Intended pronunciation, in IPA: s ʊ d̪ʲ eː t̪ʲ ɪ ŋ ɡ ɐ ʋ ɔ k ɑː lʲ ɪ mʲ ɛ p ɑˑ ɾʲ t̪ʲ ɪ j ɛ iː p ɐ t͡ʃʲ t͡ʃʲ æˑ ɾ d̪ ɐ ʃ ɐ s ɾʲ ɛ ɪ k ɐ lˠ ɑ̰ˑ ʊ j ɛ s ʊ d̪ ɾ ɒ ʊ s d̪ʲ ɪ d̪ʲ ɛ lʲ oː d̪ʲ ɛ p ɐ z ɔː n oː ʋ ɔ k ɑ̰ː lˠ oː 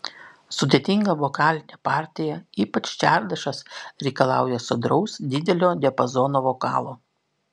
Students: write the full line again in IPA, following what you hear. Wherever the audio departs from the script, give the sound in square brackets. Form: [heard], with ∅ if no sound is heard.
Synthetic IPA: s ʊ d̪ʲ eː t̪ʲ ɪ ŋ ɡ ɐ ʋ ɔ k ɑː lʲ ɪ [nʲ] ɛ p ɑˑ ɾʲ t̪ʲ ɪ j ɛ iː p ɐ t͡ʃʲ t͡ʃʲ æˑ ɾ d̪ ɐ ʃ ɐ s ɾʲ ɛ ɪ k ɐ lˠ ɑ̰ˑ ʊ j ɛ s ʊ d̪ ɾ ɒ ʊ s d̪ʲ ɪ d̪ʲ ɛ lʲ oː d̪ʲ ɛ p ɐ z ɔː n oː ʋ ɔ k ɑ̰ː lˠ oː

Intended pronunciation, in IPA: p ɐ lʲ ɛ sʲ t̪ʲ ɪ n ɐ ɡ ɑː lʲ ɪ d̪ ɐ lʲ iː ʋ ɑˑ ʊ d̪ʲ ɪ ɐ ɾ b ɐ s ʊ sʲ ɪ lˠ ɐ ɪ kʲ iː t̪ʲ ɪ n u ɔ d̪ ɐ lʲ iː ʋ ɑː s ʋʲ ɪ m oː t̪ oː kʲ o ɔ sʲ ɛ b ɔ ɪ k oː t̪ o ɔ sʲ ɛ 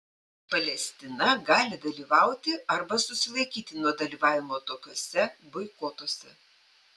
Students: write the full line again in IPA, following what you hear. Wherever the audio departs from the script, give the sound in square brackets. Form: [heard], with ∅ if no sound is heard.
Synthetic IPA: p ɐ lʲ ɛ sʲ t̪ʲ ɪ n ɐ ɡ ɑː lʲ ɪ d̪ ɐ lʲ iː ʋ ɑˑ ʊ [t̪ʲ] ɪ ɐ ɾ b ɐ s ʊ sʲ ɪ lˠ ɐ ɪ kʲ iː t̪ʲ ɪ n u ɔ d̪ ɐ lʲ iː ʋ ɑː [∅] ʋʲ ɪ m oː t̪ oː kʲ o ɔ sʲ ɛ b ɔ ɪ k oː t̪ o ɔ sʲ ɛ

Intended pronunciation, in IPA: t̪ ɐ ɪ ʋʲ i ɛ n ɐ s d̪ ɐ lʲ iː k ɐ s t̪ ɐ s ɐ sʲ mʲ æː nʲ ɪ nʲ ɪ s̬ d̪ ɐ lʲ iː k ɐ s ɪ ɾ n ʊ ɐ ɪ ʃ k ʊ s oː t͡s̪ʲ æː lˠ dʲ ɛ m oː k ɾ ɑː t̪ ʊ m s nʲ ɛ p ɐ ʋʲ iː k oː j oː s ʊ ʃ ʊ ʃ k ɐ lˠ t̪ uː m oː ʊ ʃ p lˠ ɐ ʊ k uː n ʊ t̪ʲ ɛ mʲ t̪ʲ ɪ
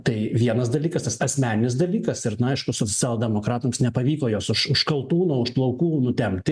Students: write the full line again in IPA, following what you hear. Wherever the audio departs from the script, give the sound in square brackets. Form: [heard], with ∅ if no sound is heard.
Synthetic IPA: t̪ ɐ ɪ ʋʲ i ɛ n ɐ s d̪ ɐ lʲ iː k ɐ s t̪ ɐ s ɐ sʲ mʲ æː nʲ ɪ nʲ ɪ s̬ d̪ ɐ lʲ iː k ɐ s ɪ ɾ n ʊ ɐ ɪ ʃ k ʊ s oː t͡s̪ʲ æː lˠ dʲ ɛ m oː k ɾ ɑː t̪ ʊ m s nʲ ɛ p ɐ ʋʲ iː k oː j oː s ʊ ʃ ʊ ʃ k ɐ lˠ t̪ uː [n] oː ʊ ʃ p lˠ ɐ ʊ k uː n ʊ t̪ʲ ɛ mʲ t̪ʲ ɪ

